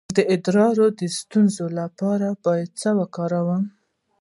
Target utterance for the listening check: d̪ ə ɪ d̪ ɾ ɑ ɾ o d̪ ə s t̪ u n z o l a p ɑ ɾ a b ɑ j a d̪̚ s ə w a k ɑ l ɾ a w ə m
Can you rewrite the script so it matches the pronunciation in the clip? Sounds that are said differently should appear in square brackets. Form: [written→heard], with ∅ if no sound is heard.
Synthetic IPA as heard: d̪ ə ɪ d̪ ɾ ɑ ɾ o d̪ ə s t̪ u n z o l a p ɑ ɾ a b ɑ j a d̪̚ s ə w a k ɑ [l→∅] ɾ a w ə m

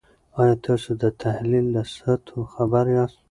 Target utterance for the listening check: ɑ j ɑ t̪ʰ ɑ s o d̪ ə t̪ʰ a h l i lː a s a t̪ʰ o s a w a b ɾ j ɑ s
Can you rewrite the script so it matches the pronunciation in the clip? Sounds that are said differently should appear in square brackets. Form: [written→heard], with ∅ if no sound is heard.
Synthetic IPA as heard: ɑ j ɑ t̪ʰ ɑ s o d̪ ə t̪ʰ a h l i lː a s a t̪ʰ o [s→x] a [w→b] a [b→∅] ɾ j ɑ s

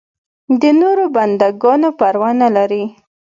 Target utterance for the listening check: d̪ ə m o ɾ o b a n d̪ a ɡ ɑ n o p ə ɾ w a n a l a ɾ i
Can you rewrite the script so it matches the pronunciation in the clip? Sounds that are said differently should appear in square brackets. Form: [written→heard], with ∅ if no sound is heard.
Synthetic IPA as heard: d̪ ə [m→n] o ɾ o b a n d̪ a ɡ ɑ n o p [ə→a] ɾ w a n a l a ɾ i

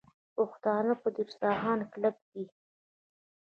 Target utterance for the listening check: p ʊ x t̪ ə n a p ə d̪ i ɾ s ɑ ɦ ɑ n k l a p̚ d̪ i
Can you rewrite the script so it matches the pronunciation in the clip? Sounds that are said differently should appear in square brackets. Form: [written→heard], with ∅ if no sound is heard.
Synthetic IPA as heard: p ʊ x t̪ [ə→ɑ] n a p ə d̪ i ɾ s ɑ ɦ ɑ n k l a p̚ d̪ i

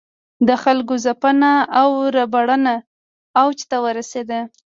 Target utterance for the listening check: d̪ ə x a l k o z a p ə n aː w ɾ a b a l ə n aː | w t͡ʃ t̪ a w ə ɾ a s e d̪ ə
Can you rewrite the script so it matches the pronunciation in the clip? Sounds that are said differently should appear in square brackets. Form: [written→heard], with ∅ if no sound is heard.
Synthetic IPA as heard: d̪ ə x a l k o z a p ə n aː w ɾ a b a [l→ɽ] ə n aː | w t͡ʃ t̪ a w ə ɾ a s e d̪ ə

